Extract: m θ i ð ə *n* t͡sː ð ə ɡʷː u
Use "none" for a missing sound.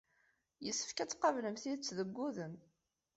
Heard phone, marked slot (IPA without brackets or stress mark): none